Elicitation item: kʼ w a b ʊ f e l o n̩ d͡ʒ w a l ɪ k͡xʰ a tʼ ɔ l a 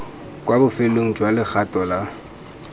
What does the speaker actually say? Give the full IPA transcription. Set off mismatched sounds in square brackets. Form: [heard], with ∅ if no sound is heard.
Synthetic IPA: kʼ w a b ʊ f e l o [ŋ̩] d͡ʒ w a l ɪ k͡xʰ a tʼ ɔ l a